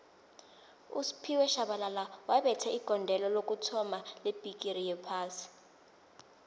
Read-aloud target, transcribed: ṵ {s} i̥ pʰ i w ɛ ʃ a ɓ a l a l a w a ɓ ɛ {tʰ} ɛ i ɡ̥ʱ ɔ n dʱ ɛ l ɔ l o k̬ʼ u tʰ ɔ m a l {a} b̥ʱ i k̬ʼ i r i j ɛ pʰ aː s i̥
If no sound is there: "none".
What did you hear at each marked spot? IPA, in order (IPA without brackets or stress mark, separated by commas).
s, tʰ, e